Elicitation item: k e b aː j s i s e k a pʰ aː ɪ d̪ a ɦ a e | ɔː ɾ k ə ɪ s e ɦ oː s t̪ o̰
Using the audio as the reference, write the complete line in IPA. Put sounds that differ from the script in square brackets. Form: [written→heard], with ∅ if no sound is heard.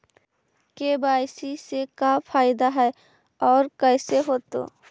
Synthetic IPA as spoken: k e b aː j s i s e k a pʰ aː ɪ d̪ a ɦ [a→ɛ] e | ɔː ɾ k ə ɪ s e ɦ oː [s→∅] t̪ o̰